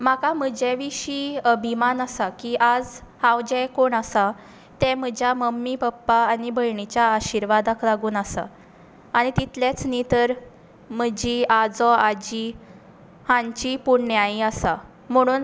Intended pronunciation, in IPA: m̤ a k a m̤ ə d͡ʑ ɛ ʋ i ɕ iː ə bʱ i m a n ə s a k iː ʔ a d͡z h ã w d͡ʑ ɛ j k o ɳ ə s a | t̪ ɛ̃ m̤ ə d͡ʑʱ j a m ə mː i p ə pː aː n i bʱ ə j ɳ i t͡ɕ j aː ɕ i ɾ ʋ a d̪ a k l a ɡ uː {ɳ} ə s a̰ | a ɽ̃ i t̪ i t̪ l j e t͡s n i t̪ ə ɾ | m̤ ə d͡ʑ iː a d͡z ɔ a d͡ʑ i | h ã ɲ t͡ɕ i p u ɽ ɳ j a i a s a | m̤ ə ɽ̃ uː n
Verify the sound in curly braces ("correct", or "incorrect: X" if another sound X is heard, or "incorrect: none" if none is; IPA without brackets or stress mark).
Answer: incorrect: n